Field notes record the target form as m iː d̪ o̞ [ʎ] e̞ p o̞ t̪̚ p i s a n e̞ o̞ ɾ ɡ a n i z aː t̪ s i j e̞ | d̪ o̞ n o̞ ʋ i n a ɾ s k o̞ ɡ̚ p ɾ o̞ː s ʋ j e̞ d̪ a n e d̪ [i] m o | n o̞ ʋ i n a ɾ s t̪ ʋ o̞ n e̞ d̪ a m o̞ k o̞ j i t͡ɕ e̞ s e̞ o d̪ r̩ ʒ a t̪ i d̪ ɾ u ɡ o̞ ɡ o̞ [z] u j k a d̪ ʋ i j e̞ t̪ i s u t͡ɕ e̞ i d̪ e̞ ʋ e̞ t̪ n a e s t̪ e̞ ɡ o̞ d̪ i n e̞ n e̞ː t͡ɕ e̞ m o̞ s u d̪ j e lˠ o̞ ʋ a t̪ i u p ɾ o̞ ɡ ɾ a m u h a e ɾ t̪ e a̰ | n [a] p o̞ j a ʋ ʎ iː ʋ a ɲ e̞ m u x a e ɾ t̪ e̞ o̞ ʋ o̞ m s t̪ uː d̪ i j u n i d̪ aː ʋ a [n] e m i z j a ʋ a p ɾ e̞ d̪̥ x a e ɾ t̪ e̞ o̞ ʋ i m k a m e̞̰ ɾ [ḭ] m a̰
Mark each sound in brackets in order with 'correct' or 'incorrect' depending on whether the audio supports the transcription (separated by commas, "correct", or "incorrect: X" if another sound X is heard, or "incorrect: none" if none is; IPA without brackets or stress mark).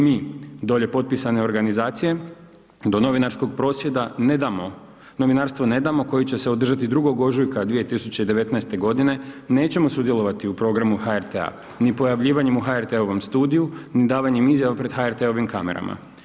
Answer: correct, incorrect: a, incorrect: ʒ, incorrect: i, incorrect: ɲ, incorrect: a̰